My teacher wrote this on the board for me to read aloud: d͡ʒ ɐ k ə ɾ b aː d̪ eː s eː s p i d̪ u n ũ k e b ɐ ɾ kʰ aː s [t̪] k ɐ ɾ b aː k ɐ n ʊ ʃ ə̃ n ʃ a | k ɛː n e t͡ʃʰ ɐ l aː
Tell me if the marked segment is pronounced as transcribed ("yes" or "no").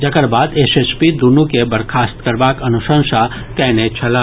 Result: yes